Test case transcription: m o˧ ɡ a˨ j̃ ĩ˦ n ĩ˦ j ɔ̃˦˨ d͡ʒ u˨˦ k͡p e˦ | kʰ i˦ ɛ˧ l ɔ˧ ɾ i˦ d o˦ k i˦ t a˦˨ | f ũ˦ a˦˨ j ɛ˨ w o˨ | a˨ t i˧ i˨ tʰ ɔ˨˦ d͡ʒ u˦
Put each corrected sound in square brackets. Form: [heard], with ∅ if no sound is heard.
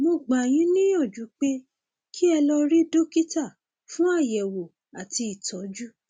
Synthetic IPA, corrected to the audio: m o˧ [ɡ͡b] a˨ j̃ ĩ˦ n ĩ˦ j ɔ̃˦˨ d͡ʒ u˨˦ k͡p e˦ | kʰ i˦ ɛ˧ l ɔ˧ ɾ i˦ d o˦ k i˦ t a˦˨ | f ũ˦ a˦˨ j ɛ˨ w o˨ | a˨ t i˧ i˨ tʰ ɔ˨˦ d͡ʒ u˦